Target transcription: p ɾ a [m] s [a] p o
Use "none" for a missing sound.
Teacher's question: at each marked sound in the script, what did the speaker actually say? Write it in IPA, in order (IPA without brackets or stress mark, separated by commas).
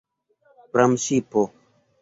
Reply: m, i